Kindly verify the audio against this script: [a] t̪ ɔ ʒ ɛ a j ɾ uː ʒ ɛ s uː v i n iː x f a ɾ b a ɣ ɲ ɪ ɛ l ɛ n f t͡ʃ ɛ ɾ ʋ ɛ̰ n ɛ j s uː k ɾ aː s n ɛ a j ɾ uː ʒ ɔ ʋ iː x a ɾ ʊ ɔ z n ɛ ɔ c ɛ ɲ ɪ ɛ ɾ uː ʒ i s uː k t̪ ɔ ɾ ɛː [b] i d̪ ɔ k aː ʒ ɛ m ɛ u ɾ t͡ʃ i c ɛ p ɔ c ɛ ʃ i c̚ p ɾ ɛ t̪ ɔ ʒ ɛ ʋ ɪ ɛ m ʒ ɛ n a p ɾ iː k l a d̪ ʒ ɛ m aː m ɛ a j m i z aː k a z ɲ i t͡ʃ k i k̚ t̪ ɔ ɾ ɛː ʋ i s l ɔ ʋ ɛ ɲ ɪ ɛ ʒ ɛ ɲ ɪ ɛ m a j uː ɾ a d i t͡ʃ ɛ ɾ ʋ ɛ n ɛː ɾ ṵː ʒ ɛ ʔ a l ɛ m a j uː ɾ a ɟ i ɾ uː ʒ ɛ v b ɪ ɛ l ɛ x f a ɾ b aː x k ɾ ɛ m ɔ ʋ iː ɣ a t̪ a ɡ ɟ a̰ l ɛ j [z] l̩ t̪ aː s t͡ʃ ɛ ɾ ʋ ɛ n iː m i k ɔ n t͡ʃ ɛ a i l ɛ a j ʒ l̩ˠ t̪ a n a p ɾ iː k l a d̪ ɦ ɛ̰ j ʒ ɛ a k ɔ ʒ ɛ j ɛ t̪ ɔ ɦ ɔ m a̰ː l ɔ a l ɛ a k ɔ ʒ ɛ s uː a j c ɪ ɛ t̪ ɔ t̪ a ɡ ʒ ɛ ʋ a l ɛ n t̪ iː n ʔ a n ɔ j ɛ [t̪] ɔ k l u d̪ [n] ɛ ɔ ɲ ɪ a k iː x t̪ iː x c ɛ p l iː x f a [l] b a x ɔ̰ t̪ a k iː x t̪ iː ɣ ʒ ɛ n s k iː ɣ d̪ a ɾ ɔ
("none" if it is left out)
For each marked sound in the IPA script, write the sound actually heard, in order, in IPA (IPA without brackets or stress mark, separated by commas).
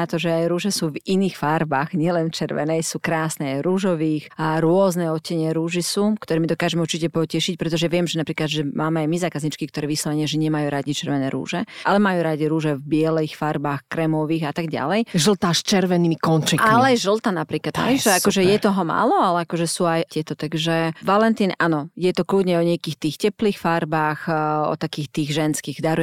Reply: a, m, ʒ, t̪, ɲ, ɾ